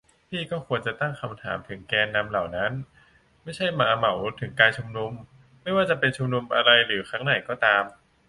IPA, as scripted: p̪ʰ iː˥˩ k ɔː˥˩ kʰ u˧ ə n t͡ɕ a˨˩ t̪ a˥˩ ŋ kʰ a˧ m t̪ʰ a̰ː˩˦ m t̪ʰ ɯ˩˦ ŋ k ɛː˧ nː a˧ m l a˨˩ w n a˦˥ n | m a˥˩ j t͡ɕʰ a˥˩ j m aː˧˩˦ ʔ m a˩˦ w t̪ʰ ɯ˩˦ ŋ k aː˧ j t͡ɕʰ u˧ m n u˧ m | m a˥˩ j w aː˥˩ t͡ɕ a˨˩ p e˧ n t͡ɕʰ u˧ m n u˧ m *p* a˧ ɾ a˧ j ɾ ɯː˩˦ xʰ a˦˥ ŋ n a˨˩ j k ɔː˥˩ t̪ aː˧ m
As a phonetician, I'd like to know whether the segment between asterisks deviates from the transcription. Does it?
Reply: yes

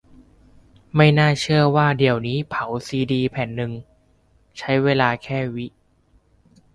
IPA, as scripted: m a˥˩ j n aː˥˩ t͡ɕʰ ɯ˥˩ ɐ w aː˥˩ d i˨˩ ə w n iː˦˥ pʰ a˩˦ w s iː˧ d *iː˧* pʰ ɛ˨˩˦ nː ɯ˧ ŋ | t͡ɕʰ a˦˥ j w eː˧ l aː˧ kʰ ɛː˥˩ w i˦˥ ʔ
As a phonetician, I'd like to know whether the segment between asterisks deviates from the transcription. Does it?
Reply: no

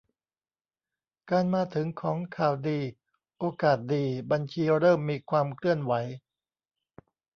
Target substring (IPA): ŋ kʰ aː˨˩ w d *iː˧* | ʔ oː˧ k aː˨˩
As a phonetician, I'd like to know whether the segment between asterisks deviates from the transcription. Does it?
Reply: no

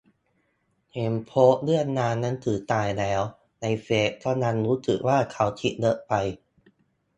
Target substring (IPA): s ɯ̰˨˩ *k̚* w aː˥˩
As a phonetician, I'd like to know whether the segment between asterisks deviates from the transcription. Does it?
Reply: no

